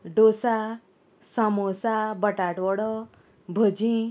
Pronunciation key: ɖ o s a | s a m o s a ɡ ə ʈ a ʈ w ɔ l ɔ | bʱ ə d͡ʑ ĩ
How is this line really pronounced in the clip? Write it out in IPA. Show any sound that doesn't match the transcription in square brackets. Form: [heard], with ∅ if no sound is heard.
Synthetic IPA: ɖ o s a | s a m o s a [b] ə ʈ a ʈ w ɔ [ɽ] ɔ | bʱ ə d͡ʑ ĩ

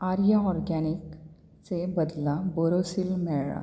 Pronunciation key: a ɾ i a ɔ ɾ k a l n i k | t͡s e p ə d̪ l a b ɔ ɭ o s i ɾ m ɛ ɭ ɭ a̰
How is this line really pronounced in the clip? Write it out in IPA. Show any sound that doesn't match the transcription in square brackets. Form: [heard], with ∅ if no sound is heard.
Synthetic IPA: a ɾ [j] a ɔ ɾ [ɡ] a [∅] n i k | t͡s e [b] ə d̪ l a b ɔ [ɾ] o s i [l] m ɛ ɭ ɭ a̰

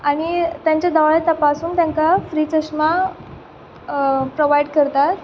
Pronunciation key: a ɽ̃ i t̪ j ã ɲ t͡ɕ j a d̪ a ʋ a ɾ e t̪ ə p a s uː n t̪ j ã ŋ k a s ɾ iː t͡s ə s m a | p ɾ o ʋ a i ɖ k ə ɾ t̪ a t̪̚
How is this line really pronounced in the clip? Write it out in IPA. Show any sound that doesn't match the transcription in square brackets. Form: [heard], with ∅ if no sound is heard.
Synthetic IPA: a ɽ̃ i t̪ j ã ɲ t͡ɕ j a d̪ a ʋ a [ɭ] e t̪ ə p a s uː n t̪ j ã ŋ k a [f] ɾ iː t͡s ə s m a | p ɾ o ʋ a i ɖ k ə ɾ t̪ a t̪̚

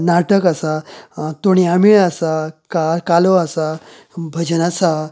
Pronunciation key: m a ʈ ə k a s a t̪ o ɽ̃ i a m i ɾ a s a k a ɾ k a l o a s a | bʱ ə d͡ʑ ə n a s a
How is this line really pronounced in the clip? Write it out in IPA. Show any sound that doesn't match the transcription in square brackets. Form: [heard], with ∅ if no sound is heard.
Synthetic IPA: [n] a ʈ ə k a s a t̪ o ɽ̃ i a m i [ɭ] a s a k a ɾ k a l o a s a | bʱ ə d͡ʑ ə n a s a

